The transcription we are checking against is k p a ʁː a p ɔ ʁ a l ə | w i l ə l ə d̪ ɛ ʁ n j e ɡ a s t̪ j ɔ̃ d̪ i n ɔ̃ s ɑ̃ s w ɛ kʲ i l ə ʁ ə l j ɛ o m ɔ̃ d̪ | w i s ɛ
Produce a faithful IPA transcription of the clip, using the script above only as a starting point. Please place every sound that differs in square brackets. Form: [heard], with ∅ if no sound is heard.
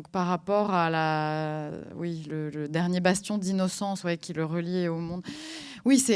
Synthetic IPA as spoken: k p a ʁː a p ɔ ʁ a l [a] | w i l ə l ə d̪ ɛ ʁ n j e [b] a s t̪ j ɔ̃ d̪ i n [ɔ] s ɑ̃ s w ɛ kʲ i l ə ʁ ə l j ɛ o m ɔ̃ d̪ | w i s ɛ